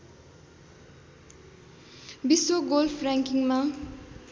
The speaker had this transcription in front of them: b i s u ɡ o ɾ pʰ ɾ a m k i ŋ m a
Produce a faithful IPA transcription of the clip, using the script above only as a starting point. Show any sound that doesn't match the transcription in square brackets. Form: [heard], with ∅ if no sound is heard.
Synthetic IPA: b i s [o] ɡ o [l] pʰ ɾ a [ŋ] k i ŋ m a